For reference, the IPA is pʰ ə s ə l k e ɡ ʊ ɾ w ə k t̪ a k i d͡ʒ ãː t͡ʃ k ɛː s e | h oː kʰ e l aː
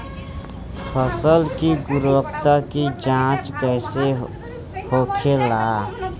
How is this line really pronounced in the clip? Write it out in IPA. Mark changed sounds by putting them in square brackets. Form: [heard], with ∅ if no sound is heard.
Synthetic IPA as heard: pʰ ə s ə l k [i] ɡ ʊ ɾ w ə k t̪ a k i d͡ʒ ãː t͡ʃ k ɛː s e | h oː kʰ e l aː